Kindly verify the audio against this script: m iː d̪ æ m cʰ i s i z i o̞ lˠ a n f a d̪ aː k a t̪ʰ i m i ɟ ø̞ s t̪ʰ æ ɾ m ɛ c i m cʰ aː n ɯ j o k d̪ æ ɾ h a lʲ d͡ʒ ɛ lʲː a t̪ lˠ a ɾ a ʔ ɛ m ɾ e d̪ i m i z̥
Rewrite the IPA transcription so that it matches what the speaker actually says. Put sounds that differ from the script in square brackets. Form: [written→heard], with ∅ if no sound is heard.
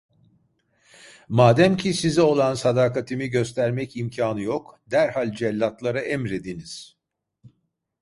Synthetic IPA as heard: m [iː→aː] d̪ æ m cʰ i s i z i o̞ lˠ a n [f→s] a d̪ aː k a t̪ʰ i m i ɟ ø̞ s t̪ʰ æ ɾ m ɛ c i m cʰ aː n ɯ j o k d̪ æ ɾ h a lʲ d͡ʒ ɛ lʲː a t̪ lˠ a ɾ a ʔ ɛ m ɾ e d̪ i [m→n] i z̥